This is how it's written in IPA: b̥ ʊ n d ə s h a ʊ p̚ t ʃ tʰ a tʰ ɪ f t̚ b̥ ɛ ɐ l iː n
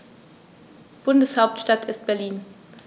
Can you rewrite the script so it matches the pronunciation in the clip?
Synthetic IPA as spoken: b̥ ʊ n d ə s h a ʊ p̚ t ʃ t a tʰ ɪ s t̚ b̥ ɛ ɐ l iː n